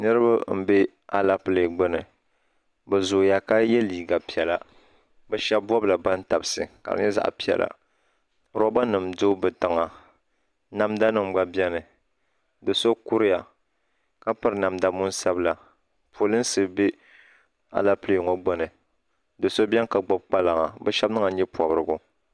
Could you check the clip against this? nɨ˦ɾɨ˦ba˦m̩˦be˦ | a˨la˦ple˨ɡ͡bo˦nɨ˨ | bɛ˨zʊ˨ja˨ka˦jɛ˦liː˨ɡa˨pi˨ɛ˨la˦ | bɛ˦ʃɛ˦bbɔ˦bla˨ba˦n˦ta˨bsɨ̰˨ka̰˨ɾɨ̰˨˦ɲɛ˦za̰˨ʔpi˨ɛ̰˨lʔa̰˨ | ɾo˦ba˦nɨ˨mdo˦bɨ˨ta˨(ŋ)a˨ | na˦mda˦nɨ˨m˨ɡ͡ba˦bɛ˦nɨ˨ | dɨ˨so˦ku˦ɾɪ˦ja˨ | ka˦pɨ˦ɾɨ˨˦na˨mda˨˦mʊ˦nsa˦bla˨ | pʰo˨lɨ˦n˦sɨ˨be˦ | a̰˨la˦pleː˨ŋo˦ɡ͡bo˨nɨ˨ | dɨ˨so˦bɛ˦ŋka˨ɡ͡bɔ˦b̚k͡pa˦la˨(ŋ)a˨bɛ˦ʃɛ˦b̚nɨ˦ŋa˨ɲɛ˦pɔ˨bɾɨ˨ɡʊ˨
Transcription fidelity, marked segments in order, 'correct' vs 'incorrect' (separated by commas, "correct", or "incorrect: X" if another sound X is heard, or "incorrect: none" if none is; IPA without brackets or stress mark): correct, correct